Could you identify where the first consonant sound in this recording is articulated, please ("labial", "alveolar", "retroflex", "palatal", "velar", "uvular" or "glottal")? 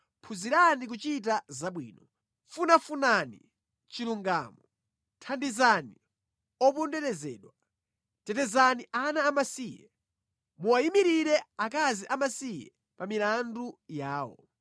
labial